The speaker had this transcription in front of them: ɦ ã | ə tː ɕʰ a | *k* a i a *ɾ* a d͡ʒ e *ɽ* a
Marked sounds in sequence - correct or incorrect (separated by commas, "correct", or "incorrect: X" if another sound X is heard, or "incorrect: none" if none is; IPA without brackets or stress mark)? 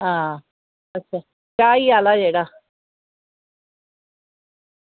correct, incorrect: l, correct